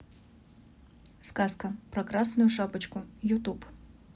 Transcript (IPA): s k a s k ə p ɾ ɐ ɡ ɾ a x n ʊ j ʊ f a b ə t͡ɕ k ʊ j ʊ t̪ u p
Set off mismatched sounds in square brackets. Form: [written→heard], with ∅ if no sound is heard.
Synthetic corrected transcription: s k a s k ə p ɾ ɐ [ɡ→k] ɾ a [x→s] n ʊ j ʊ [f→ʂ] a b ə t͡ɕ k ʊ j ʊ t̪ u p